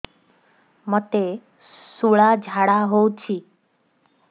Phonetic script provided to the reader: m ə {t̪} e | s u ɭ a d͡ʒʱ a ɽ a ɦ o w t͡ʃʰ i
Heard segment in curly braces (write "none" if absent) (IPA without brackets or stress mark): t̪